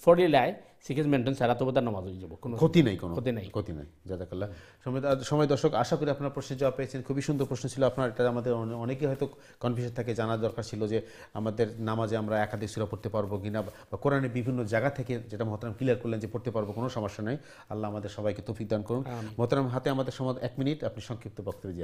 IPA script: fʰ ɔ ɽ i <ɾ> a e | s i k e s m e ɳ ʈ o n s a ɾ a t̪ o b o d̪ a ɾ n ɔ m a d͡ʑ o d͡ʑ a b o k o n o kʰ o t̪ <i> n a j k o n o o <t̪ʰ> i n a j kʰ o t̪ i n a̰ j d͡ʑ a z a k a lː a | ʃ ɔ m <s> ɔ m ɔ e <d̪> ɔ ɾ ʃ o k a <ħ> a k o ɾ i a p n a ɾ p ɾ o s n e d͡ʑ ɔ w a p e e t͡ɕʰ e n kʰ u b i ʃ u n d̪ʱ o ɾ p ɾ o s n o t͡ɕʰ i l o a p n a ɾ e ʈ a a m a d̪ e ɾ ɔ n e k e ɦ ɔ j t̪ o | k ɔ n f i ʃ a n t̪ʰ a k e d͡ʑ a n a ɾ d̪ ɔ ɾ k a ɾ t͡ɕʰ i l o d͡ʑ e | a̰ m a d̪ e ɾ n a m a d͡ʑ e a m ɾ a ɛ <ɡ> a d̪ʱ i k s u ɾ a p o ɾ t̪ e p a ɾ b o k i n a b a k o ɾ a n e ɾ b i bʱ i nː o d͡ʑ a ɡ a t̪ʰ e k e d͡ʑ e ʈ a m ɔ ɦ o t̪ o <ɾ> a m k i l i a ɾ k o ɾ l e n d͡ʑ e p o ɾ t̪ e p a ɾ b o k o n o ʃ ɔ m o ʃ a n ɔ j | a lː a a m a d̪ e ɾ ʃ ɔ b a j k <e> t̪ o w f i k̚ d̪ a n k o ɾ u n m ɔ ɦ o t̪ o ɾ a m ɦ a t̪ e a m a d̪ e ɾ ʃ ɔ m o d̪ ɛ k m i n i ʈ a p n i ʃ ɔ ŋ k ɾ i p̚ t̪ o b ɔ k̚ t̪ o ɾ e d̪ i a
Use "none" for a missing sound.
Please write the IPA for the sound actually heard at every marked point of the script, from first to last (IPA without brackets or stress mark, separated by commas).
l, i, t̪, ʃ, d̪, ʃ, k, ɾ, e